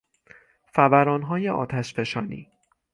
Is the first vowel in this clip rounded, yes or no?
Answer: no